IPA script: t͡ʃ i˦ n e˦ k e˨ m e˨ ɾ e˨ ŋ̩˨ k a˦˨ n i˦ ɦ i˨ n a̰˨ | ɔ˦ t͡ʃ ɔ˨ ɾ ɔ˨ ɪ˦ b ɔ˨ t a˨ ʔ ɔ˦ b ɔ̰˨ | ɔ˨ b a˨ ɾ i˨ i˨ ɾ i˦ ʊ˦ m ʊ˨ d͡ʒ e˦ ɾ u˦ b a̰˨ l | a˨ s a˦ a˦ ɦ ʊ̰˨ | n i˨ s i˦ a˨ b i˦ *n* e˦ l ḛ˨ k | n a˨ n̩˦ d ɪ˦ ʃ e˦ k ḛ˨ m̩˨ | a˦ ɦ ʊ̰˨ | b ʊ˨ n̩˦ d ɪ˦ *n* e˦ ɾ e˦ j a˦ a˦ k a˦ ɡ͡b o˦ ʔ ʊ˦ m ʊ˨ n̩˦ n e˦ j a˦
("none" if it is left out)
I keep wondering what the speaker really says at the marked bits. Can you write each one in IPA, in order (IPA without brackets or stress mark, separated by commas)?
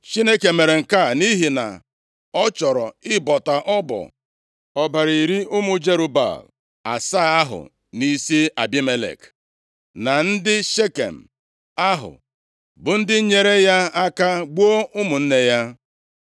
m, ɲ